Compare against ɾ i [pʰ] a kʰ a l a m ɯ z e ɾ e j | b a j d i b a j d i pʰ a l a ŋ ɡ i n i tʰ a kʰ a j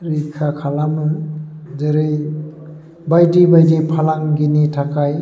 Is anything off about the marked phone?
yes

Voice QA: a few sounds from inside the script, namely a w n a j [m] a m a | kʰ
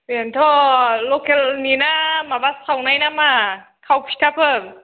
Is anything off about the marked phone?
yes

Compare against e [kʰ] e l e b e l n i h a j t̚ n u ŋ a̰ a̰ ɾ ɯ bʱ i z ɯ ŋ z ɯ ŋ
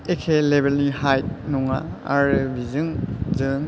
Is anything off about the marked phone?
no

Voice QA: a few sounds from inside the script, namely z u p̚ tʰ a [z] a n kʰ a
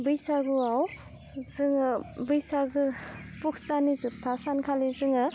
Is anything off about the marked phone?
yes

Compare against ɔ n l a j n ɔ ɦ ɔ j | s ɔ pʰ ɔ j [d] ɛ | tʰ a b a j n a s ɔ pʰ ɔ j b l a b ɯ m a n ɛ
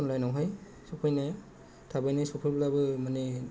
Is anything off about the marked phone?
yes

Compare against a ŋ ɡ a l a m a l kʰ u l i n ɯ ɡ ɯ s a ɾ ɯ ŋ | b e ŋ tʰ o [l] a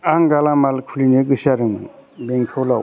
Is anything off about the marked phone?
no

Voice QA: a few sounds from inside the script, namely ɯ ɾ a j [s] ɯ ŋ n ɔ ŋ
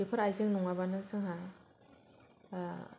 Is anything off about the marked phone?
yes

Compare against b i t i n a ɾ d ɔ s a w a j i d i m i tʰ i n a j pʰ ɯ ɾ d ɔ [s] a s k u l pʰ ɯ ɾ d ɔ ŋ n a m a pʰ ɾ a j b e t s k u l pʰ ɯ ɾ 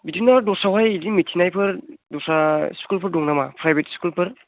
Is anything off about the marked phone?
no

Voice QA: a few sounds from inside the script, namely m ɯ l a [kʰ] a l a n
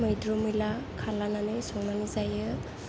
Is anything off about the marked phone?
no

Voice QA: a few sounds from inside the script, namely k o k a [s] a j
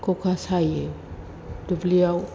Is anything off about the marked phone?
no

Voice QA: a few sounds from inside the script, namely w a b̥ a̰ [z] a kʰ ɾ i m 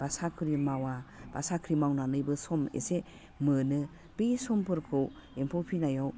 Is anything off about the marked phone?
yes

